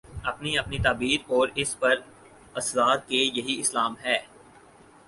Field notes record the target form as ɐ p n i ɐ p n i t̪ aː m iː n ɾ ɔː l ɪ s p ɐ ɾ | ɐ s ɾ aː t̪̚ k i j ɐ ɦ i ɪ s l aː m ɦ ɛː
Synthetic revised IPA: ɐ p n i ɐ p n i t̪ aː b iː ɾ ɔː ɾ ɪ s p ɐ ɾ | ɐ s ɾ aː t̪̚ k e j ɐ ɦ i ɪ s l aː m ɦ ɛː